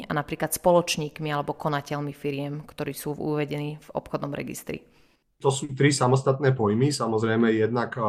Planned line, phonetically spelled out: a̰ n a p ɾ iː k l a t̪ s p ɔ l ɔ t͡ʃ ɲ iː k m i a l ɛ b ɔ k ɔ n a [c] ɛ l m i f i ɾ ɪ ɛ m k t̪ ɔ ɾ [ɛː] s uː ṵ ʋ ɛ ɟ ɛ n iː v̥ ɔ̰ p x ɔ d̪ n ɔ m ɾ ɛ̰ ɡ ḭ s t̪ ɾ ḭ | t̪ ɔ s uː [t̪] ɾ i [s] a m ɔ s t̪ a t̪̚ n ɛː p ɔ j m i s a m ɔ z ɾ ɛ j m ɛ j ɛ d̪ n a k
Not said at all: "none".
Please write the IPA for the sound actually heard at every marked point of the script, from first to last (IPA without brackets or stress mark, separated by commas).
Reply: c, iː, t̪, s